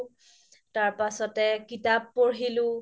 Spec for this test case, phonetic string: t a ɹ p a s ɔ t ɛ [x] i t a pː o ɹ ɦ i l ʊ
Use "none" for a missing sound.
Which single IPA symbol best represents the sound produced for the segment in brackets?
k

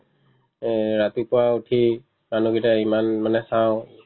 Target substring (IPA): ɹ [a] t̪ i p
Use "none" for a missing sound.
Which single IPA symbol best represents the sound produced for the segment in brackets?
a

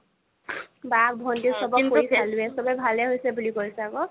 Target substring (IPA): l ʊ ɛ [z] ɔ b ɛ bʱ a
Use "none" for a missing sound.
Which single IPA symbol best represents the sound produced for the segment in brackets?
s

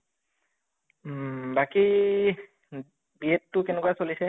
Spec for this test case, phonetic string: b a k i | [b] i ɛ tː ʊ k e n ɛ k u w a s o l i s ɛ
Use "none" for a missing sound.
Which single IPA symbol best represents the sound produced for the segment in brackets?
b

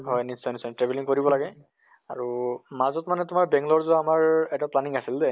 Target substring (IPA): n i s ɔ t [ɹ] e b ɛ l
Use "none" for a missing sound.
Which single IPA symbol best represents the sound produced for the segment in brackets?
ɹ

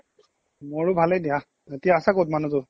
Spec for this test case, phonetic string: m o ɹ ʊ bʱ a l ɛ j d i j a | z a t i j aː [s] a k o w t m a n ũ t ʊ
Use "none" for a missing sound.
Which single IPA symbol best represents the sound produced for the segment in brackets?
s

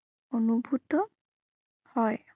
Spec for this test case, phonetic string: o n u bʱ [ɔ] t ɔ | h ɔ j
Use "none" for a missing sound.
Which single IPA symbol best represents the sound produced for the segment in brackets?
u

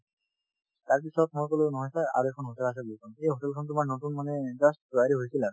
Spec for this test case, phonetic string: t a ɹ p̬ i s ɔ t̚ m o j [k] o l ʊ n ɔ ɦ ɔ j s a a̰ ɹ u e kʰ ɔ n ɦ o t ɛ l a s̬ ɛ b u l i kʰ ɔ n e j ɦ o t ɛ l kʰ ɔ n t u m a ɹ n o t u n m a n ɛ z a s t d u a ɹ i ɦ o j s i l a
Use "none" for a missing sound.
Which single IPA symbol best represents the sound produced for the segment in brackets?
k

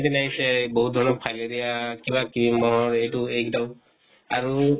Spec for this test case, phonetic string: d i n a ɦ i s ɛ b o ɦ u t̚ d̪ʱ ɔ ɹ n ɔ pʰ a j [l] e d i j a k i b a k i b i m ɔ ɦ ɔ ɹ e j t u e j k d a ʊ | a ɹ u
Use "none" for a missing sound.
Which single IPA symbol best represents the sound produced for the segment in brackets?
l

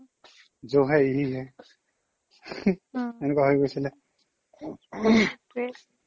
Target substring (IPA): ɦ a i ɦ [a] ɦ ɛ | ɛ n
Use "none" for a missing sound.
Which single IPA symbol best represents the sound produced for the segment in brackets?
i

